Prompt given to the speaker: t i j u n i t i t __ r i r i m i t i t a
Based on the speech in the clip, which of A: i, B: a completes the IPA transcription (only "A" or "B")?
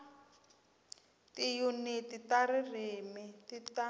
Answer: B